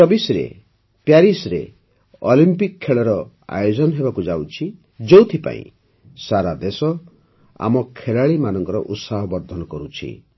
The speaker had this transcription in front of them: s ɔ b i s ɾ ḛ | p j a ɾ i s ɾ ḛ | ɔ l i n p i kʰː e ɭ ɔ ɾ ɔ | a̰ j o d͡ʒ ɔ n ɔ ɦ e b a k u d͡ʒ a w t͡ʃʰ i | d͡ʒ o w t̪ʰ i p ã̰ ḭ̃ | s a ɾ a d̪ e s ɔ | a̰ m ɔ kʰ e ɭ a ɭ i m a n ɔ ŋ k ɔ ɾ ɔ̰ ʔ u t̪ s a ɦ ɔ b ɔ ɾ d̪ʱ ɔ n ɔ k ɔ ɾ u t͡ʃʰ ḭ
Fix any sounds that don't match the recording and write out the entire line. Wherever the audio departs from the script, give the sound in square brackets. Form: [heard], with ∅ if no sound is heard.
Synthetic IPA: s ɔ b i s ɾ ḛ | p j a ɾ i s ɾ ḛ | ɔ l i [m] p i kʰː e ɭ ɔ ɾ ɔ | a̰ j o d͡ʒ ɔ n ɔ ɦ e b a k u d͡ʒ a w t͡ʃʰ i | d͡ʒ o w t̪ʰ i p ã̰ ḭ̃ | s a ɾ a d̪ e s ɔ | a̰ m ɔ kʰ e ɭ a ɭ i m a n ɔ ŋ k ɔ ɾ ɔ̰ ʔ u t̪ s a ɦ ɔ b ɔ ɾ d̪ʱ ɔ n ɔ k ɔ ɾ u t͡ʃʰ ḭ